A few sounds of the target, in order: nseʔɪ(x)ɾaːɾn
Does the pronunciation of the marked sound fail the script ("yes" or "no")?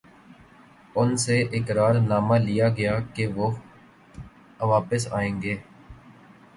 yes